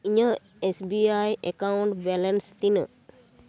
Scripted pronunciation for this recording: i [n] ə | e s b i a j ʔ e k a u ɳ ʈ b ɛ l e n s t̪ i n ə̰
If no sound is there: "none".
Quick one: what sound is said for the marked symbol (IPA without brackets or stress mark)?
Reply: ɲ